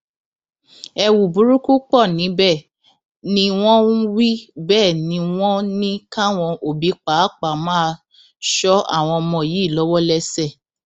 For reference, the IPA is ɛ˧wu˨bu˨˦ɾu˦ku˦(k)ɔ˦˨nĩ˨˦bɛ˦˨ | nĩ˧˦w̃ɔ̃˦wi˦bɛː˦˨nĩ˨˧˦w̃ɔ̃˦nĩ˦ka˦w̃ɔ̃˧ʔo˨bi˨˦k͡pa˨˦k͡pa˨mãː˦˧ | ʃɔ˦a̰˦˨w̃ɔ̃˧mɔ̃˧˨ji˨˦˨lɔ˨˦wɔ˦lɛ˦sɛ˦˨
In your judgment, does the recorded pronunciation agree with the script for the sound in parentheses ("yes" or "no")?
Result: no